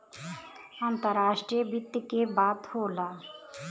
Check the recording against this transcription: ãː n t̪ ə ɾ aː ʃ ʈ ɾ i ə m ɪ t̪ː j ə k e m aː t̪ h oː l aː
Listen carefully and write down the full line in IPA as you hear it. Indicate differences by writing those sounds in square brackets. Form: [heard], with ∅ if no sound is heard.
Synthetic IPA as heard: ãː n t̪ ə ɾ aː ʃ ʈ ɾ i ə [b] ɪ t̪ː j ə k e [b] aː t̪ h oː l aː